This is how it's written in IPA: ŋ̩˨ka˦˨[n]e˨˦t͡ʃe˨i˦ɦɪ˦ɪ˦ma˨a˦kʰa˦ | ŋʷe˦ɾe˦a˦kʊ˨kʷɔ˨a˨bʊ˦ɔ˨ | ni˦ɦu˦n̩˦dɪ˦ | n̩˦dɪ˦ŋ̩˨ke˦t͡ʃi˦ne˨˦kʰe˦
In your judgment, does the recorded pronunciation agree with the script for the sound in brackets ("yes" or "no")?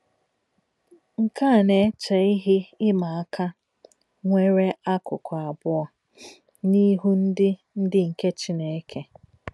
yes